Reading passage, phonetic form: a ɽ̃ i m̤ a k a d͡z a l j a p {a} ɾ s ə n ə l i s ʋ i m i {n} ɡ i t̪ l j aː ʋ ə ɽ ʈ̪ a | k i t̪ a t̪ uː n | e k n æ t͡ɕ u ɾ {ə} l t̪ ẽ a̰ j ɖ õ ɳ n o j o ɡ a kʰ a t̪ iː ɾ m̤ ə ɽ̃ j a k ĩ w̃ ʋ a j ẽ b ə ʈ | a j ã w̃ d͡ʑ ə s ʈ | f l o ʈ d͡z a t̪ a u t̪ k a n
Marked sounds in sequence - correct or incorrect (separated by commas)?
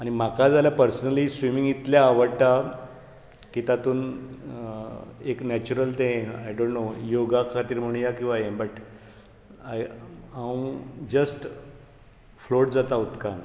incorrect, incorrect, correct